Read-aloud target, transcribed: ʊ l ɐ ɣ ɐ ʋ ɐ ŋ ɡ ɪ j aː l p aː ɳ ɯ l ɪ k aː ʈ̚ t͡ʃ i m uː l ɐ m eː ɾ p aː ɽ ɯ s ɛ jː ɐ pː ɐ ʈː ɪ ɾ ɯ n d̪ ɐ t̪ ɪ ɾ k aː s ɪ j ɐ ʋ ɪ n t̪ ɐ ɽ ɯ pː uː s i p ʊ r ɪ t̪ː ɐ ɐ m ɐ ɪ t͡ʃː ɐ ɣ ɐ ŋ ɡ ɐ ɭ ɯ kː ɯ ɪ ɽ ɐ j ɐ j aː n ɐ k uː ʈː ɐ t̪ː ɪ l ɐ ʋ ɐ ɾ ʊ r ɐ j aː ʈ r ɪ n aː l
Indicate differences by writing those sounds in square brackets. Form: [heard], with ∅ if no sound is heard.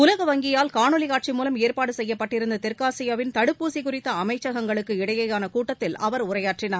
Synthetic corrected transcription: ʊ l ɐ ɣ ɐ ʋ ɐ ŋ ɡ ɪ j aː l [k] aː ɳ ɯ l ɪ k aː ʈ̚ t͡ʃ i m uː l ɐ m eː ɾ p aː ɽ ɯ s ɛ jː ɐ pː ɐ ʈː ɪ ɾ ɯ n d̪ ɐ t̪ ɪ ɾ k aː s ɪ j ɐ ʋ ɪ n t̪ ɐ ɽ ɯ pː uː s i [k] ʊ r ɪ t̪ː ɐ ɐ m ɐ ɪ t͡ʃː ɐ ɣ ɐ ŋ ɡ ɐ ɭ ɯ kː ɯ ɪ ɽ ɐ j ɐ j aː n ɐ k uː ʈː ɐ t̪ː ɪ l ɐ ʋ ɐ ɾ ʊ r ɐ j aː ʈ r ɪ n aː [ɾ]

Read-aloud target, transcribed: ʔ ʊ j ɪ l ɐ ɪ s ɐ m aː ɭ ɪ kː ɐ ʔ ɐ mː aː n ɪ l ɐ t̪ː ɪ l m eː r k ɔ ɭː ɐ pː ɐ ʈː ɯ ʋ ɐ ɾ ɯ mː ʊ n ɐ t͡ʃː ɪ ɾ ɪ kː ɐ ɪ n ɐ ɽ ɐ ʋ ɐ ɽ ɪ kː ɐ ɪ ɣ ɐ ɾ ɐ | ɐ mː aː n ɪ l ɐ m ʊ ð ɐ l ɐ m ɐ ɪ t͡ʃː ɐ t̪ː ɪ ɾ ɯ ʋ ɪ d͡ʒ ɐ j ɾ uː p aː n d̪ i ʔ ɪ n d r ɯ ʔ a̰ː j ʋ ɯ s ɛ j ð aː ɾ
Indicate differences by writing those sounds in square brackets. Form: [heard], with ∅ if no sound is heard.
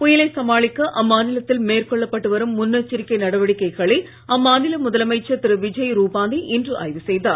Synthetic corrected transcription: [p] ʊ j ɪ l ɐ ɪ s ɐ m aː ɭ ɪ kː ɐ ʔ ɐ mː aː n ɪ l ɐ t̪ː ɪ l m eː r k ɔ ɭː ɐ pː ɐ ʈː ɯ ʋ ɐ ɾ ɯ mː ʊ [nː] ɐ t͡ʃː ɪ ɾ ɪ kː ɐ ɪ n ɐ ɽ ɐ ʋ ɐ ɽ ɪ kː ɐ ɪ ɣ ɐ [ɭ] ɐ | ɐ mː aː n ɪ l ɐ m ʊ ð ɐ l ɐ m ɐ ɪ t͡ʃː ɐ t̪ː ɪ ɾ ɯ ʋ ɪ d͡ʒ ɐ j ɾ uː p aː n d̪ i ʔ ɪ n d r ɯ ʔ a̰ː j ʋ ɯ s ɛ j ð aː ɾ

